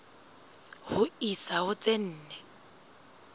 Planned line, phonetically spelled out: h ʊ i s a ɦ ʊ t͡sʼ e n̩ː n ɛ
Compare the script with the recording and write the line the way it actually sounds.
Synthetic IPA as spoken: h ʊ i s a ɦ ʊ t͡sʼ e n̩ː n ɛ